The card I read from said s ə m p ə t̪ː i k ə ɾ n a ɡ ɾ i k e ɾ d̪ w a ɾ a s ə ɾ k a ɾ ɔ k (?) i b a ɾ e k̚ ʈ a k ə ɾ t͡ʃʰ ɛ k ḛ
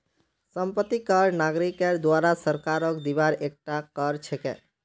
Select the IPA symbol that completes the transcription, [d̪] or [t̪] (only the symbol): d̪